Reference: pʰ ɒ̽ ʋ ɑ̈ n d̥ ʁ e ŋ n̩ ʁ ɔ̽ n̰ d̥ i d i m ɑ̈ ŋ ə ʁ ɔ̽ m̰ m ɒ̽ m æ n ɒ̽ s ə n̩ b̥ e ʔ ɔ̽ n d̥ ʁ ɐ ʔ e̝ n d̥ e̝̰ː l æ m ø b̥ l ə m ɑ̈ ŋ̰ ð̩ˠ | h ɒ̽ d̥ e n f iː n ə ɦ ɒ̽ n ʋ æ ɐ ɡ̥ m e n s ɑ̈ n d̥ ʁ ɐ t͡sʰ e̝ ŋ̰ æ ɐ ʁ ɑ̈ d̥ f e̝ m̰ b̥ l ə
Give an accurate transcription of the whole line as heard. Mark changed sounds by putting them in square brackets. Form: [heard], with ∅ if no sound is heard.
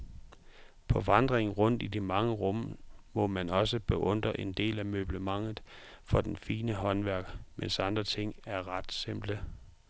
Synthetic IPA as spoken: pʰ ɒ̽ ʋ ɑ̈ n d̥ ʁ e ŋ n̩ ʁ ɔ̽ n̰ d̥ i d i m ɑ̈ ŋ ə ʁ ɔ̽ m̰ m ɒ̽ m æ n ɒ̽ s ə [∅] b̥ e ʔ ɔ̽ n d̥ ʁ ɐ ʔ e̝ n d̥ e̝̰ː l æ m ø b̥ l ə m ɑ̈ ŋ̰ ð̩ˠ | [f] ɒ̽ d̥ e n f iː n ə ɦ ɒ̽ n ʋ æ ɐ ɡ̥ m e n s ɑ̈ n d̥ ʁ ɐ t͡sʰ e̝ ŋ̰ æ ɐ ʁ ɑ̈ d̥ [s] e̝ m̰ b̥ l ə

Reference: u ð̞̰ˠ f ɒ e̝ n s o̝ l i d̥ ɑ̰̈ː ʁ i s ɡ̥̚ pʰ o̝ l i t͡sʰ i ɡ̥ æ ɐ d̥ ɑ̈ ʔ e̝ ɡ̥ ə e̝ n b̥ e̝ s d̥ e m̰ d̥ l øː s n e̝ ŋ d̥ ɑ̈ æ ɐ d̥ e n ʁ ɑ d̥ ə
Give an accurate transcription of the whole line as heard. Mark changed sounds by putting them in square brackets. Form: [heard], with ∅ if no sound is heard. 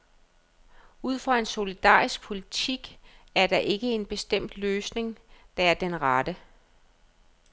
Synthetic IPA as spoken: u ð̞̰ˠ f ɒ e̝ n s o̝ l i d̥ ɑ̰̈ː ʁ i s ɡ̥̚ pʰ o̝ l i t͡sʰ i ɡ̥ æ ɐ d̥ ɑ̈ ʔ e̝ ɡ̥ ə e̝ n b̥ e̝ s d̥ e m̰ d̥ l øː s n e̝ ŋ d̥ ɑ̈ æ ɐ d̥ e n ʁ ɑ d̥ ə

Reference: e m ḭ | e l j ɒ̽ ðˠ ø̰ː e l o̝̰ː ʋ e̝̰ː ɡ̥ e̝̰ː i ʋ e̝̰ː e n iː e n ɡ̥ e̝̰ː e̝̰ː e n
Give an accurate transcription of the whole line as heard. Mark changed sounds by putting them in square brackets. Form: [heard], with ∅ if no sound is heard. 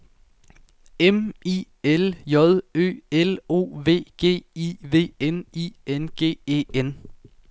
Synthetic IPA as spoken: e m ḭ | e l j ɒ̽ ðˠ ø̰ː e l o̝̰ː ʋ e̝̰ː ɡ̥ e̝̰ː i ʋ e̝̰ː e n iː e n ɡ̥ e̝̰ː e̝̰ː e n

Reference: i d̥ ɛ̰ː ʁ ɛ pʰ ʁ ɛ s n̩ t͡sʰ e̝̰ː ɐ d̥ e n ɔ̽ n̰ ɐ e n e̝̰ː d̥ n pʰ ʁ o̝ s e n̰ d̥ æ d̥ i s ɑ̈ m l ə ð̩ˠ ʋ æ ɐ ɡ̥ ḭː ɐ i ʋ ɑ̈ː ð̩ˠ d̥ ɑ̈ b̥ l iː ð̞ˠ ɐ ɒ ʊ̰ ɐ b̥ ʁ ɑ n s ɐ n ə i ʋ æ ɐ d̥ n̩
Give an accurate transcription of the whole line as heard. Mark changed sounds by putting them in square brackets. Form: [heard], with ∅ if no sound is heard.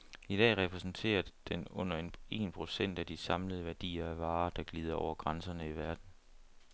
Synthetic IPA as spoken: i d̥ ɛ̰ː ʁ ɛ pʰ ʁ ɛ s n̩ t͡sʰ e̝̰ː ɐ d̥ e n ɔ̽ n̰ ɐ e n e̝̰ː [∅] n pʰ ʁ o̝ s e n̰ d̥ æ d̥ i s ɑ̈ m l ə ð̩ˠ ʋ æ ɐ [d̥] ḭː ɐ [æ] ʋ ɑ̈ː [∅] d̥ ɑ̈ [ɡ̥] l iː ð̞ˠ ɐ ɒ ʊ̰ ɐ [ɡ̥] ʁ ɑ n s ɐ n ə i ʋ æ ɐ d̥ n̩

